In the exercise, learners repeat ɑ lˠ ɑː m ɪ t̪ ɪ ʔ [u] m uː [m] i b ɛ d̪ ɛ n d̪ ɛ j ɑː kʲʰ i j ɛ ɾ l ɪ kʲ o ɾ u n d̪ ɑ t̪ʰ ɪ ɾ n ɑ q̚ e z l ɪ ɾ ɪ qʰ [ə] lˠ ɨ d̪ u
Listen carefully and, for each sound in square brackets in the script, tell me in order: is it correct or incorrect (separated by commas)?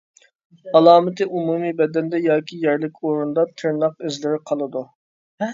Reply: correct, correct, incorrect